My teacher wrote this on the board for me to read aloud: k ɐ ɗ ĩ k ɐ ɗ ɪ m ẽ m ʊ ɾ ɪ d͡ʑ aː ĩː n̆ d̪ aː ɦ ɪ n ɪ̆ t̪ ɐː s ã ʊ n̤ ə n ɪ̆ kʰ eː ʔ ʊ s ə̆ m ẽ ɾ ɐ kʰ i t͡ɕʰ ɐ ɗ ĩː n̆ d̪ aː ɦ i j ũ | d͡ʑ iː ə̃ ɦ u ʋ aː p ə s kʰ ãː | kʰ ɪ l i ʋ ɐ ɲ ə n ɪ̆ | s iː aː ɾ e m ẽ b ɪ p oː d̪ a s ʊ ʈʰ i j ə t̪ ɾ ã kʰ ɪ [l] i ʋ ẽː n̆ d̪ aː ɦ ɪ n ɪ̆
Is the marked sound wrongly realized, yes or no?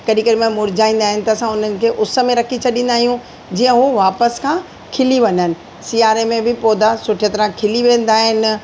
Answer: no